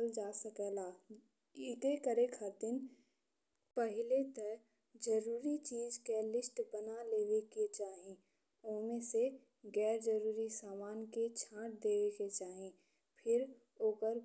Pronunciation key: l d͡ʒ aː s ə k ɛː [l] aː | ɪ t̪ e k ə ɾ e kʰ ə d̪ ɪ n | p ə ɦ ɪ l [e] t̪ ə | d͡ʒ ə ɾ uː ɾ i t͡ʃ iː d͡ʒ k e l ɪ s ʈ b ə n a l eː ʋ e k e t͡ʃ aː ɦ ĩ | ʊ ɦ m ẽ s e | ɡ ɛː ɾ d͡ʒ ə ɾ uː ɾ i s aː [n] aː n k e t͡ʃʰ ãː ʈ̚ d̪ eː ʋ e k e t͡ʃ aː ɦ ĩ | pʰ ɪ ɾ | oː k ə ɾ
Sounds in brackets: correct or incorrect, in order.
correct, correct, incorrect: m

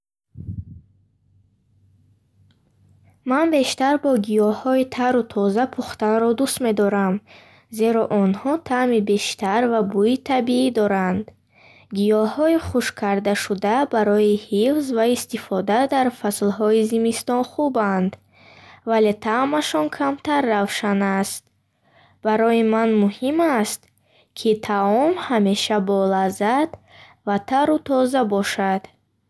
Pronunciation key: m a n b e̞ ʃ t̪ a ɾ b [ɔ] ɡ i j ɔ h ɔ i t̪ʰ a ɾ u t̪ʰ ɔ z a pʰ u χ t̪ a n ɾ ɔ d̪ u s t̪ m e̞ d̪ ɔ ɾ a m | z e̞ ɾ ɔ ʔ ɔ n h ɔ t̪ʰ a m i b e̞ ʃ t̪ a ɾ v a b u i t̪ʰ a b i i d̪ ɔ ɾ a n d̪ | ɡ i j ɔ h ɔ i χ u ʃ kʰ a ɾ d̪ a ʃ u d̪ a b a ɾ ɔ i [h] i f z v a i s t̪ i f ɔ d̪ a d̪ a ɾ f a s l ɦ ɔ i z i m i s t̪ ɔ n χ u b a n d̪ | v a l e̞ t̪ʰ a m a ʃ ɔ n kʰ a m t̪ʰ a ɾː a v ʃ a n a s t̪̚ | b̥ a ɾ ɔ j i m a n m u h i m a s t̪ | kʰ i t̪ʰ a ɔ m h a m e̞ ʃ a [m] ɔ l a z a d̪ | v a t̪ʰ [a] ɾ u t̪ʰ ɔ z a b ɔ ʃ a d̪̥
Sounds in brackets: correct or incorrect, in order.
correct, correct, incorrect: b, correct

